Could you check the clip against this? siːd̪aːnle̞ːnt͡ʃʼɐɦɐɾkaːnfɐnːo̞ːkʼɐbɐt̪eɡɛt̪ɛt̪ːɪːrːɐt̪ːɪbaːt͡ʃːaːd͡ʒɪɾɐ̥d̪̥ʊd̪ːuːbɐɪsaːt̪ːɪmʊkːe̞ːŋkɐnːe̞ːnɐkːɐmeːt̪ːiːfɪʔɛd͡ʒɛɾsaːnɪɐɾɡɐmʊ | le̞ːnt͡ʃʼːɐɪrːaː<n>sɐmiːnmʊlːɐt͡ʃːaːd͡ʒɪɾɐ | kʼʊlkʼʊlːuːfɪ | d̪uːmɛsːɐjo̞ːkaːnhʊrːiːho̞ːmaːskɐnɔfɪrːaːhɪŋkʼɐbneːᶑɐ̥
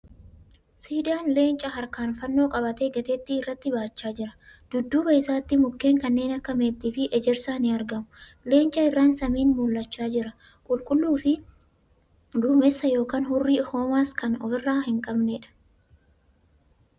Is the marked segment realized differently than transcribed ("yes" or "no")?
no